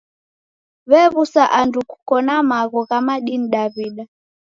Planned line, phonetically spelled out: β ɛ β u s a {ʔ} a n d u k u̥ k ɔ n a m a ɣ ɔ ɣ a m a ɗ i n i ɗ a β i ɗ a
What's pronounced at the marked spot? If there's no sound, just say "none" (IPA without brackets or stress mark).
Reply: ʔ